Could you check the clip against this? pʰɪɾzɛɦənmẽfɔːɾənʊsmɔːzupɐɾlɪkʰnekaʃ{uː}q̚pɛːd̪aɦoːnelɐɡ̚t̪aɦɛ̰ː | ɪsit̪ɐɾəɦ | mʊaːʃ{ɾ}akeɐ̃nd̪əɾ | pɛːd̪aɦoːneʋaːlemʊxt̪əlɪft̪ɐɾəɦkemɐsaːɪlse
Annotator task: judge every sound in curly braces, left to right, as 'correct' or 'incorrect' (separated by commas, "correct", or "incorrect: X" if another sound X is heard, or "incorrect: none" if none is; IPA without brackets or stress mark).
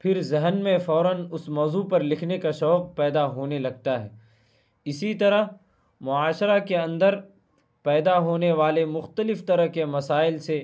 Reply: incorrect: ɔː, correct